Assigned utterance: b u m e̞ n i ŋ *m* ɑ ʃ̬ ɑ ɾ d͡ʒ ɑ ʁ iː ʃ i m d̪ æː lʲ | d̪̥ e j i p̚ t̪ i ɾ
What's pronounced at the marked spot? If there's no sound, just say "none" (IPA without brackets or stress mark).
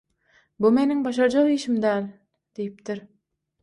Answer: b